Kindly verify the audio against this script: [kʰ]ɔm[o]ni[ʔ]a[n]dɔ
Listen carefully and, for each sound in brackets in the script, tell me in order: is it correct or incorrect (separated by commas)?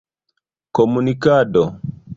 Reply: incorrect, incorrect, incorrect, incorrect